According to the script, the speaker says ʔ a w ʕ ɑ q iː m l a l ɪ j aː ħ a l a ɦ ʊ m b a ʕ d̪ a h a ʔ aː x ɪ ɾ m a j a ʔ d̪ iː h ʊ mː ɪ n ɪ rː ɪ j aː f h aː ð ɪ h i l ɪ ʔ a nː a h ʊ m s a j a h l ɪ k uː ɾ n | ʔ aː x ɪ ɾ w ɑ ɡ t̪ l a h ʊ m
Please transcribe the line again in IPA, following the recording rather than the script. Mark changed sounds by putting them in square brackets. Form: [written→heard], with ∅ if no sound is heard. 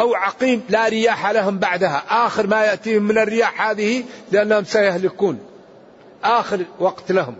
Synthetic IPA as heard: ʔ a w ʕ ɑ q iː m l a [l→ɾ] ɪ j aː ħ a l a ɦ ʊ m b a ʕ d̪ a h a ʔ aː x ɪ ɾ m a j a ʔ [d̪→t̪] iː h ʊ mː ɪ n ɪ rː ɪ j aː [f→ħ] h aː ð ɪ h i l ɪ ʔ a nː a h ʊ m s a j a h l ɪ k uː [ɾ→∅] n | ʔ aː x ɪ ɾ w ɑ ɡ t̪ l a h ʊ m